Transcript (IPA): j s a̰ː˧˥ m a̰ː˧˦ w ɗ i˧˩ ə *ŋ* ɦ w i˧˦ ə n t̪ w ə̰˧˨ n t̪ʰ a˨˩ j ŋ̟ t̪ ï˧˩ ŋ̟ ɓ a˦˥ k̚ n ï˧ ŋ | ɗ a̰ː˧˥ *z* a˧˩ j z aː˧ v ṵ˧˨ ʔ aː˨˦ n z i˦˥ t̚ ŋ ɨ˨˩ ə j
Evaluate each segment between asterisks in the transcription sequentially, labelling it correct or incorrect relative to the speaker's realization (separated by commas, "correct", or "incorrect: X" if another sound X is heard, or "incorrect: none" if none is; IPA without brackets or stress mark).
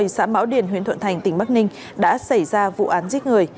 incorrect: n, incorrect: s